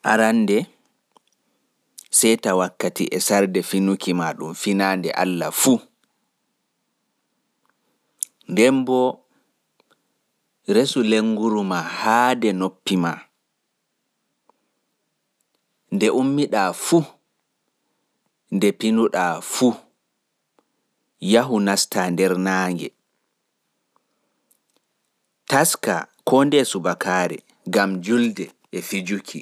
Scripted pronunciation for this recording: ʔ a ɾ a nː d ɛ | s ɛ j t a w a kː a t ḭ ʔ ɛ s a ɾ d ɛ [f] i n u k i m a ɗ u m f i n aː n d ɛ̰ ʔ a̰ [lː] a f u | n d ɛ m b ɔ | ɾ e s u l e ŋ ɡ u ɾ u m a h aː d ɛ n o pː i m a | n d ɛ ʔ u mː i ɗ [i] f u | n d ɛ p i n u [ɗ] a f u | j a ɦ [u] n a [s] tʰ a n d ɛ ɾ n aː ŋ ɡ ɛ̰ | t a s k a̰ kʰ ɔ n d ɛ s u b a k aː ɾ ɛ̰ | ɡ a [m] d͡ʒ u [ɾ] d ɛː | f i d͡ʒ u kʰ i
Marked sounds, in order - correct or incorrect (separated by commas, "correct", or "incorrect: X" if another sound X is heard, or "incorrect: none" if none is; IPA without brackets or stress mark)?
correct, correct, incorrect: a, correct, correct, correct, correct, incorrect: l